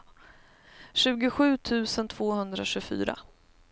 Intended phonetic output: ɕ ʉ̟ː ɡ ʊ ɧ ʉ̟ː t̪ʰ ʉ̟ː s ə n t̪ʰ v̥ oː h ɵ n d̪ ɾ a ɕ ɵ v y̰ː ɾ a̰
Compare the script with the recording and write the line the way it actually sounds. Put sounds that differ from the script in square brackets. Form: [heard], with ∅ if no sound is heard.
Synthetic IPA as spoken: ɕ ʉ̟ː ɡ ʊ ɧ ʉ̟ː t̪ʰ ʉ̟ː s ə n t̪ʰ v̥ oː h ɵ n d̪ ɾ a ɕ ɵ [f] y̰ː ɾ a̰